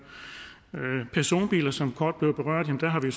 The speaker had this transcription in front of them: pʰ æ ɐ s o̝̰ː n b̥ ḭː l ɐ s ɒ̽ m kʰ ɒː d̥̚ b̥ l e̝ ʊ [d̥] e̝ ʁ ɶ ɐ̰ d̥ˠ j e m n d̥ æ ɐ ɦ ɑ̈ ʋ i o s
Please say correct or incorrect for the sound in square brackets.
incorrect